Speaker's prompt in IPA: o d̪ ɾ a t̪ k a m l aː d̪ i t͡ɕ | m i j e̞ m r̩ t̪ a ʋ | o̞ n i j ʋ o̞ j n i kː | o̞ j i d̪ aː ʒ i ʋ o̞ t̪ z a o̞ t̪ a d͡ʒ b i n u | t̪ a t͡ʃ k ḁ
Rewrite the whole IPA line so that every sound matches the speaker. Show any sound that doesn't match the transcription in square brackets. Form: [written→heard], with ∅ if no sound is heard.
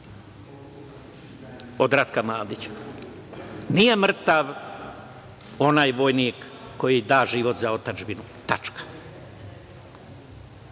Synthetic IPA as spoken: o d̪ ɾ a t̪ k a m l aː d̪ i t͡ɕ | [m→n] i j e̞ m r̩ t̪ a ʋ | o̞ n [i→a] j ʋ o̞ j n i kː | o̞ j i d̪ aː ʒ i ʋ o̞ t̪ z a o̞ t̪ a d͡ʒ b i n u | t̪ a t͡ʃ k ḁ